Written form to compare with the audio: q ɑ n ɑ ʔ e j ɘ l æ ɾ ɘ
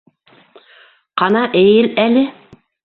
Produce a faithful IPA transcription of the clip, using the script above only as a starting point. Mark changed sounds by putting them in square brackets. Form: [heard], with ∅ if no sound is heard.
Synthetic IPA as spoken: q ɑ n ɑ ʔ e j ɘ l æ [l] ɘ